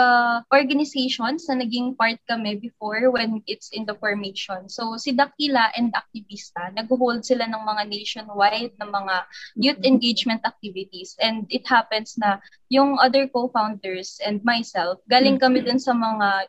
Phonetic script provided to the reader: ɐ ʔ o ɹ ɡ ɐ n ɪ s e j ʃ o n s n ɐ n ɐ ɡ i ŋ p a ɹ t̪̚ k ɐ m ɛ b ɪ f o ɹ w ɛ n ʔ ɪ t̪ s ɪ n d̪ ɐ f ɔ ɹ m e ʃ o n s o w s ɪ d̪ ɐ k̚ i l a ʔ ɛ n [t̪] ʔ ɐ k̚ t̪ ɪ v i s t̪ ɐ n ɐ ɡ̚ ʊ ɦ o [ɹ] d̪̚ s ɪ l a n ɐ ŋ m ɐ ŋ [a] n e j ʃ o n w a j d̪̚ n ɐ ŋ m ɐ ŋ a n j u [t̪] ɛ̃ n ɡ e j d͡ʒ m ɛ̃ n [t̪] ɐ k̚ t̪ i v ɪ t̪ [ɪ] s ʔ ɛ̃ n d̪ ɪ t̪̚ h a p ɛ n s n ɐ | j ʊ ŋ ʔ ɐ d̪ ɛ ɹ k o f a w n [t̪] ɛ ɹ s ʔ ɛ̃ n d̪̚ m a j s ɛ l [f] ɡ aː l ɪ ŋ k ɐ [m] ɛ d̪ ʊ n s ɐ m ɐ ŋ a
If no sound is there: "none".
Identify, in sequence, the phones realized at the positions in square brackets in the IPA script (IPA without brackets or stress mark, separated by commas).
d̪, l, a, t̪, t̪, i, d̪, f, m